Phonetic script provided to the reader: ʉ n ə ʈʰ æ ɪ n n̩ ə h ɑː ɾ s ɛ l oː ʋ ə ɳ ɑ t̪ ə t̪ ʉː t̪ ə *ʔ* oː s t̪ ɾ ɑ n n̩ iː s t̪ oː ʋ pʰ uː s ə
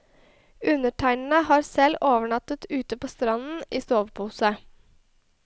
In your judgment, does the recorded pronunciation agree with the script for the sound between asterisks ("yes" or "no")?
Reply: no